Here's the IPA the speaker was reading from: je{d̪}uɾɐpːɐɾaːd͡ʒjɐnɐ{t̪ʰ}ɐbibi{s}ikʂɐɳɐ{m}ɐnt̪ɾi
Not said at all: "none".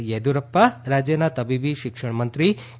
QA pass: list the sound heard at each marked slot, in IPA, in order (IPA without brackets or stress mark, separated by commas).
d̪, t̪, ʃ, m